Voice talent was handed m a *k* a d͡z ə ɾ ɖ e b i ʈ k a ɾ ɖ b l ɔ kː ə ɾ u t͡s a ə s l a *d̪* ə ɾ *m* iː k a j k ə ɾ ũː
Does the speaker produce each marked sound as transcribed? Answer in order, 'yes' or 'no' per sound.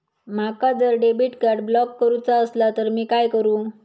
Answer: yes, no, yes

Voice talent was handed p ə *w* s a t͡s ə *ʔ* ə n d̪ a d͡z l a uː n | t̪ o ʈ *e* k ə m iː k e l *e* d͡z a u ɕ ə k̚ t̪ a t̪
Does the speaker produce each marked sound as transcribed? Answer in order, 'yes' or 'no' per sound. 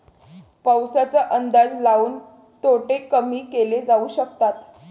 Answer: yes, yes, yes, yes

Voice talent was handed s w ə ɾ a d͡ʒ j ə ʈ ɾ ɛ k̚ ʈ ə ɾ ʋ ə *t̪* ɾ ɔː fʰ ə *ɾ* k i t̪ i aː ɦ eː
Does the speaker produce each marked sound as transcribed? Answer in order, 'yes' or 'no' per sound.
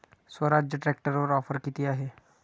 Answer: no, yes

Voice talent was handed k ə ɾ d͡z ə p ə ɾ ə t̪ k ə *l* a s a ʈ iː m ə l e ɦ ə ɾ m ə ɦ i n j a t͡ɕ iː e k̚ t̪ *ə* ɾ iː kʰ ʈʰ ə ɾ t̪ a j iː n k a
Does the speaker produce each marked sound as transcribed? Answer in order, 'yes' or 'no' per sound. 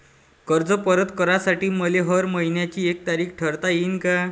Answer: no, no

